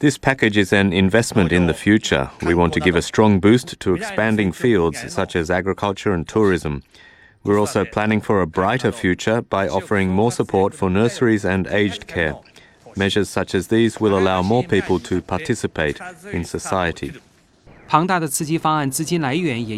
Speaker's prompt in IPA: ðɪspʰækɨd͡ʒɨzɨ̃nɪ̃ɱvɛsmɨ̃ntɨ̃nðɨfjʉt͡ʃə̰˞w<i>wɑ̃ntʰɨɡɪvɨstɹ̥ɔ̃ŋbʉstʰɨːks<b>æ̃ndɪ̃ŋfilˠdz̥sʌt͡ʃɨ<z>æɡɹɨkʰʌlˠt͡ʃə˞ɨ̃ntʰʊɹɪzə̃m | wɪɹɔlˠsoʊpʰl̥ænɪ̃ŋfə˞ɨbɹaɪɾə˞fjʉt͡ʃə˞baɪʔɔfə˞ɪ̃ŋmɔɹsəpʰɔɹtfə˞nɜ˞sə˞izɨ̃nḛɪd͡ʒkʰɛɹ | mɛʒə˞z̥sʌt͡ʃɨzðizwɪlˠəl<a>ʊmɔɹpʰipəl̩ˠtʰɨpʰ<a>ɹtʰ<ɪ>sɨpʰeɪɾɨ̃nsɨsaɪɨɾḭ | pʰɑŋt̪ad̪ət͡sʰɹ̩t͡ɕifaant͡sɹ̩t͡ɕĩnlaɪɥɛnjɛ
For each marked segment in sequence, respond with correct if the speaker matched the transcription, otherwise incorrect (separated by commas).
correct, incorrect, correct, correct, incorrect, correct